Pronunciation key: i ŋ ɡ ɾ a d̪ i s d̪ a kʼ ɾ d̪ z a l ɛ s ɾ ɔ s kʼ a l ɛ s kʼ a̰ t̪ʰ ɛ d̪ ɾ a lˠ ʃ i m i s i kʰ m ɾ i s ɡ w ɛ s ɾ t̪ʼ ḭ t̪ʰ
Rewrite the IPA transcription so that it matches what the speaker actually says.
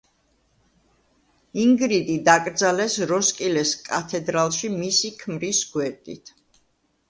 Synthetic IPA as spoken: i ŋ ɡ ɾ i d̪ i d̪ a kʼ ɾ d̪ z a l ɛ s ɾ ɔ s kʼ i l ɛ s kʼ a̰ t̪ʰ ɛ d̪ ɾ a lˠ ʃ i m i s i kʰ m ɾ i s ɡ w ɛ ɾ t̪ʼ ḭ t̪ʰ

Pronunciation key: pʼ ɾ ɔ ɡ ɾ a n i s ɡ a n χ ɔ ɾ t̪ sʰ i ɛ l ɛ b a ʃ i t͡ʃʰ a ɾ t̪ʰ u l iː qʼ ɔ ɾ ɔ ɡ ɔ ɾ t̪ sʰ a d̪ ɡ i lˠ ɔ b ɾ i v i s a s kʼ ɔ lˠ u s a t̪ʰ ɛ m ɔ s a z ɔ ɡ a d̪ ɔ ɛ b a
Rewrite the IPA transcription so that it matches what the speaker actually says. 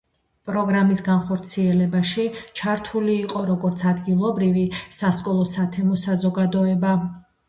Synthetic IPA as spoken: pʼ ɾ ɔ ɡ ɾ a m i s ɡ a n χ ɔ ɾ t̪ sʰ i ɛ l ɛ b a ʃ i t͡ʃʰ a ɾ t̪ʰ u l iː qʼ ɔ ɾ ɔ ɡ ɔ ɾ t̪ sʰ a d̪ ɡ i lˠ ɔ b ɾ i v i s a s kʼ ɔ lˠ ɔ s a t̪ʰ ɛ m ɔ s a z ɔ ɡ a d̪ ɔ ɛ b a

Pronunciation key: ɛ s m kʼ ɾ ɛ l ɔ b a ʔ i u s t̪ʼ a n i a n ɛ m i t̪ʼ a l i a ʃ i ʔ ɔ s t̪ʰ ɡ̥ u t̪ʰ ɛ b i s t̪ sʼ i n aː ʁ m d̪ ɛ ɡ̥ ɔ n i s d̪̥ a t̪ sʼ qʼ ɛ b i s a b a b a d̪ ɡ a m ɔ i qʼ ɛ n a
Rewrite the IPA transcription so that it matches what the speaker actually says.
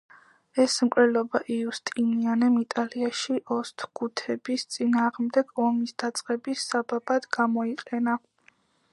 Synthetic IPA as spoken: ɛ s m kʼ ɾ ɛ l ɔ b a ʔ i u s t̪ʼ i n i a n ɛ m i t̪ʼ a l i a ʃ i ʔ ɔ s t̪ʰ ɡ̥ u t̪ʰ ɛ b i s t̪ sʼ i n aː ʁ m d̪ ɛ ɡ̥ ɔ m i s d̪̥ a t̪ sʼ qʼ ɛ b i s a b a b a d̪ ɡ a m ɔ i qʼ ɛ n a

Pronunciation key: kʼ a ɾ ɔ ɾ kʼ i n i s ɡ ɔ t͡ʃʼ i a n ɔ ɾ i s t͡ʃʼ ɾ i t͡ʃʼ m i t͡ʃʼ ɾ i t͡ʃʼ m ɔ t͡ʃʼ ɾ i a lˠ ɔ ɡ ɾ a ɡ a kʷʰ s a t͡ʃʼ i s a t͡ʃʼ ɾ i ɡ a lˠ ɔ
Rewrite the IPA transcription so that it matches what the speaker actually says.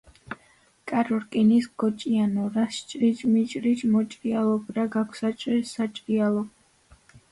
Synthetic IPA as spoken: kʼ a ɾ ɔ ɾ kʼ i n i s ɡ ɔ t͡ʃʼ i a n ɔ ɾ a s t͡ʃʼ ɾ i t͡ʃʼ m i t͡ʃʼ ɾ i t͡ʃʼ m ɔ t͡ʃʼ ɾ i a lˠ ɔ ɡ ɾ a ɡ a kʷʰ s a t͡ʃʼ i s a t͡ʃʼ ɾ i a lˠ ɔ

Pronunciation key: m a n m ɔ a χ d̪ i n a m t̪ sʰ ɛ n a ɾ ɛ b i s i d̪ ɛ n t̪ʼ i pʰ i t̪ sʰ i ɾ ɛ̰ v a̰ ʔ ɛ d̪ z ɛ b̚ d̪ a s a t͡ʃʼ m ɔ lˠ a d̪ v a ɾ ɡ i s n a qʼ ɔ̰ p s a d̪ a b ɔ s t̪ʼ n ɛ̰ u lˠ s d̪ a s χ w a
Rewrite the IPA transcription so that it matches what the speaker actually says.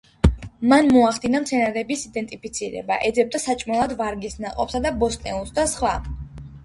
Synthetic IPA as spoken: m a n m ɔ a χ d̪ i n a m t̪ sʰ ɛ n a ɾ ɛ b i s i d̪ ɛ n t̪ʼ i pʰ i t̪ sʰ i ɾ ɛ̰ b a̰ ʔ ɛ d̪ z ɛ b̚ d̪ a s a t͡ʃʼ m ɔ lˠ a d̪ v a ɾ ɡ i s n a qʼ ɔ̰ p s a d̪ a b ɔ s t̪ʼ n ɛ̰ u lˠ s d̪ a s χ w a

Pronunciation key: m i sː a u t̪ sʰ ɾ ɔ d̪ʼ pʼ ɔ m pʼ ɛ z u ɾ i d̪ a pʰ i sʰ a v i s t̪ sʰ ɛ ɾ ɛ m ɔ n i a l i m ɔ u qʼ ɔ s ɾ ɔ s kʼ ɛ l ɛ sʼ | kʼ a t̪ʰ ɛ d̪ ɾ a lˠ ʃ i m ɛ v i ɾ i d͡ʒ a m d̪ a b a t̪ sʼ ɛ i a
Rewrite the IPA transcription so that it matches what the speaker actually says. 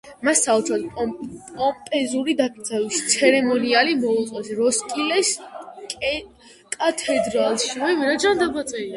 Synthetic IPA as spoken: m a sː a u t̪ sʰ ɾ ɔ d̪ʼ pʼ ɔ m pʼ ɛ z u ɾ i d̪ a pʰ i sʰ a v i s t̪ sʰ ɛ ɾ ɛ m ɔ n i a l i m ɔ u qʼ ɔ s ɾ ɔ s kʼ i l ɛ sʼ | kʼ a t̪ʰ ɛ d̪ ɾ a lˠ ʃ i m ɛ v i ɾ a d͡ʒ a n d̪ a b a t̪ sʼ ɛ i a

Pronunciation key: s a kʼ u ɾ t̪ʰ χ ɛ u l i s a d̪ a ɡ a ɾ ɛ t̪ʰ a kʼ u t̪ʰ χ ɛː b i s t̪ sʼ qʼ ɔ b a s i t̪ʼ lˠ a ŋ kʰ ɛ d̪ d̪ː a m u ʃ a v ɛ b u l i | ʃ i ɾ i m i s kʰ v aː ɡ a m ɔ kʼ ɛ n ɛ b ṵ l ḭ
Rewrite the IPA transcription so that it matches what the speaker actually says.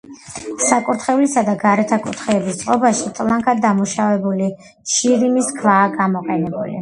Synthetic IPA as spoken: s a kʼ u ɾ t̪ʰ χ ɛ u l i s a d̪ a ɡ a ɾ ɛ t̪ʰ a kʼ u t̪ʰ χ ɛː b i s t̪ sʼ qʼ ɔ b a ʃ i t̪ʼ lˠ a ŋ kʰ a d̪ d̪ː a m u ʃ a v ɛ b u l i | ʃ i ɾ i m i s kʰ v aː ɡ a m ɔ qʼ ɛ n ɛ b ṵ l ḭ

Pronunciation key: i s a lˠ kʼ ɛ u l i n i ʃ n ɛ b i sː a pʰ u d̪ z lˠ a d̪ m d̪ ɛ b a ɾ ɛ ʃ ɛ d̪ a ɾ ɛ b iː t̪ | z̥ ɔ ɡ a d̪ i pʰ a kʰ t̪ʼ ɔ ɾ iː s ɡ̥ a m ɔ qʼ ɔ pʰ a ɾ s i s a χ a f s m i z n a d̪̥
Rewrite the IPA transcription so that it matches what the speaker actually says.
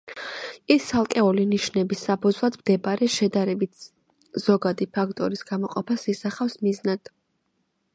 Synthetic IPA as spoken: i s a lˠ kʼ ɛ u l i n i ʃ n ɛ b i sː a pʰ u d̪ z lˠ a d̪ m d̪ ɛ b a ɾ ɛ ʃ ɛ d̪ a ɾ ɛ b i t̪ | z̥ ɔ ɡ a d̪ i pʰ a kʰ t̪ʼ ɔ ɾ i s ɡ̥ a m ɔ qʼ ɔ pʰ a s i s a χ a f s m i z n a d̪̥

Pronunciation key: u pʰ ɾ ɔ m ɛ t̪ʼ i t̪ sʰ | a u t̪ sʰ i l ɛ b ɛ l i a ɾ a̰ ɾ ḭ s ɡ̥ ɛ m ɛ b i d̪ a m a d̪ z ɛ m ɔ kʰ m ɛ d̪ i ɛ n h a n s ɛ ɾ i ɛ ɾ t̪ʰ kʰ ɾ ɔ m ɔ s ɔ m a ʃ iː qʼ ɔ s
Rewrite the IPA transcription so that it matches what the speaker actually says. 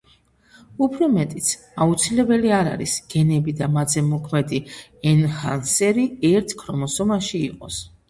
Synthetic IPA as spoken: u pʰ ɾ ɔ m ɛ t̪ʼ i t̪ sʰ | a u t̪ sʰ i l ɛ b ɛ l i a ɾ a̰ ɾ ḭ s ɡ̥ ɛ n ɛ b i d̪ a m a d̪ z ɛ m ɔ kʰ m ɛ d̪ i ɛ n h a n s ɛ ɾ i ɛ ɾ t̪ʰ kʰ ɾ ɔ m ɔ s ɔ m a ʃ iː qʼ ɔ s

